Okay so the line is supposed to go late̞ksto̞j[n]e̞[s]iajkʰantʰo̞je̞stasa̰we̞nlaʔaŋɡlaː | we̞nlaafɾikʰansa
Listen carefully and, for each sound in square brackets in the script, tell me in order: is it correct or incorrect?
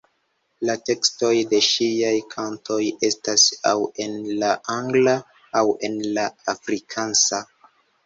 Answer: incorrect: d, incorrect: ʃ

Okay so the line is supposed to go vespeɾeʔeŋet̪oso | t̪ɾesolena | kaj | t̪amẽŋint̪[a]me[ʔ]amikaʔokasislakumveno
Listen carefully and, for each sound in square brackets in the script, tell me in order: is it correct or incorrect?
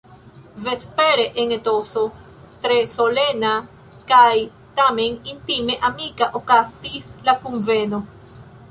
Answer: incorrect: i, correct

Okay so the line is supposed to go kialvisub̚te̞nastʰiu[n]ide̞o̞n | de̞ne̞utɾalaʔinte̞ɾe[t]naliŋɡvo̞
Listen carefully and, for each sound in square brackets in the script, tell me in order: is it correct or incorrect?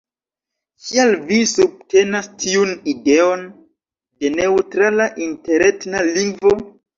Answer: correct, correct

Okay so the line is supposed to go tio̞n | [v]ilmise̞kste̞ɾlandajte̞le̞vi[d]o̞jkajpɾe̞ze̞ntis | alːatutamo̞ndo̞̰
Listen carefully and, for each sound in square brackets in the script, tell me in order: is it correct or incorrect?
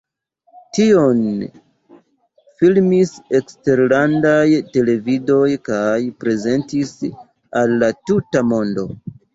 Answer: incorrect: f, correct

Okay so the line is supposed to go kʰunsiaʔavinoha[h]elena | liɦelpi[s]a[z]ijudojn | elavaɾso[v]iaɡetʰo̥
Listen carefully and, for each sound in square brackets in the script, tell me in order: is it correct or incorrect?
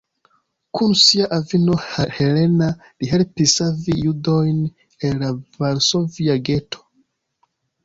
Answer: correct, correct, incorrect: v, correct

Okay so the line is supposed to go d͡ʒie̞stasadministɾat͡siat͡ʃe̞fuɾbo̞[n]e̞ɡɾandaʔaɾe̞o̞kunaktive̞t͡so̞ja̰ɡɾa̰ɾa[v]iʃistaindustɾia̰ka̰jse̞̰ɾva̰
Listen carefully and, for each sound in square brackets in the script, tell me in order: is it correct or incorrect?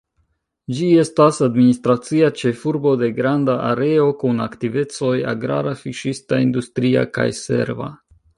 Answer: incorrect: d, incorrect: f

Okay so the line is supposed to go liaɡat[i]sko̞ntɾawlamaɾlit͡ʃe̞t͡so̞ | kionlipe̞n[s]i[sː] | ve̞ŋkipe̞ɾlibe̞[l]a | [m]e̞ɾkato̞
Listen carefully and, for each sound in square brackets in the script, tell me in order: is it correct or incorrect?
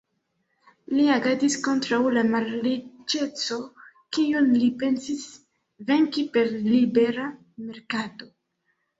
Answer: correct, correct, incorrect: s, incorrect: ɾ, correct

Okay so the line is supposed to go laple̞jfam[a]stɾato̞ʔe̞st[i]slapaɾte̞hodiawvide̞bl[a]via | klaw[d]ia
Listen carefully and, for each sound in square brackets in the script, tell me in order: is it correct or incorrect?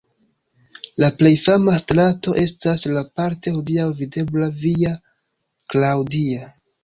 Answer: correct, incorrect: a, correct, correct

